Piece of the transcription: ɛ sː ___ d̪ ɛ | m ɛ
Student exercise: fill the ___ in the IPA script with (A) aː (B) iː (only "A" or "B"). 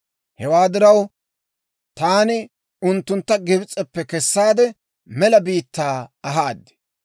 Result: A